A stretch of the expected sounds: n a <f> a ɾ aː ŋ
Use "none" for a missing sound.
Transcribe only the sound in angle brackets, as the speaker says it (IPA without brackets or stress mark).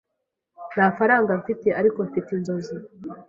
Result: f